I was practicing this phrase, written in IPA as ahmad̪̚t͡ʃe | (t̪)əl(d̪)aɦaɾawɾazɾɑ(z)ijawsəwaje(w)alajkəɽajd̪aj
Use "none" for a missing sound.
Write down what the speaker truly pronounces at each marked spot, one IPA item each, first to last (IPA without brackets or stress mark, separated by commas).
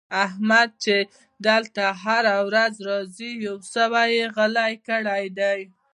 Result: d̪, t̪, z, ɣ